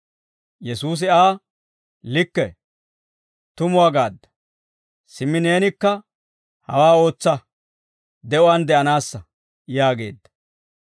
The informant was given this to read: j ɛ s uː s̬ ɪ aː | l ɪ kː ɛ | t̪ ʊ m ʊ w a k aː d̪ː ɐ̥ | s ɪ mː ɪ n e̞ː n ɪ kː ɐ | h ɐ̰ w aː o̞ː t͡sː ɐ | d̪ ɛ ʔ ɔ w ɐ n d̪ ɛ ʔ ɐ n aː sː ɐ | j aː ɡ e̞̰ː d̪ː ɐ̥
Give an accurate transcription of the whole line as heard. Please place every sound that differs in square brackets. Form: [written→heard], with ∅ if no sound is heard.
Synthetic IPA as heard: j ɛ s uː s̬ ɪ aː | l ɪ kː ɛ | t̪ ʊ m ʊ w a [k→ɡ] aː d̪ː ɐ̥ | s ɪ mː ɪ n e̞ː n ɪ kː ɐ | h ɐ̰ w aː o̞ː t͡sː ɐ | d̪ ɛ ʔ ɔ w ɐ n d̪ ɛ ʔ ɐ n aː sː ɐ | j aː ɡ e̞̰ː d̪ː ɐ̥